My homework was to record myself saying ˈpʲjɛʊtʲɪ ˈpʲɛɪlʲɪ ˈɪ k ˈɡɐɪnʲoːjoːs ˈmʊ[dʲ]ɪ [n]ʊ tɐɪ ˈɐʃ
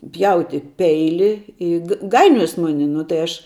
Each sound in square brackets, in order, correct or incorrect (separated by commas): incorrect, correct